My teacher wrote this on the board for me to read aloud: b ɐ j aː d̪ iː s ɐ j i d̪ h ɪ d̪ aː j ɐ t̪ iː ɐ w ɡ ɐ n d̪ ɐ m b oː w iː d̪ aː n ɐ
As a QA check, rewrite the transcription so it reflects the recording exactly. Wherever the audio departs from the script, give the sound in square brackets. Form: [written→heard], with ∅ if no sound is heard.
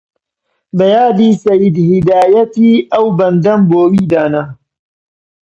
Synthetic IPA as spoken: b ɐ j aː d̪ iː s ɐ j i d̪ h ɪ d̪ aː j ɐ t̪ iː ɐ w [ɡ→b] ɐ n d̪ ɐ m b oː w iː d̪ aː n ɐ